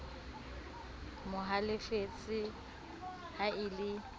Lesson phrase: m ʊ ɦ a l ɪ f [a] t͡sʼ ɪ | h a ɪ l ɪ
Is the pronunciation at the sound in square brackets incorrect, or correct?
incorrect